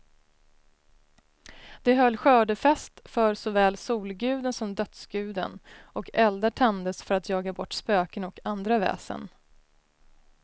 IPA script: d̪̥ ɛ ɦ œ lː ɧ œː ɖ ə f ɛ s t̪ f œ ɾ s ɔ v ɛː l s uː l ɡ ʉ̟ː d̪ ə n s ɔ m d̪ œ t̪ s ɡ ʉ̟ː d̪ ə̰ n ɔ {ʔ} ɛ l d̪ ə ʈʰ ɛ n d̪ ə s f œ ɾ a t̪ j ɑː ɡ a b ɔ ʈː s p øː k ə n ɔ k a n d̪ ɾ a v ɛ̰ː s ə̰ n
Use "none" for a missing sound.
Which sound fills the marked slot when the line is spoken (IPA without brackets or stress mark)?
k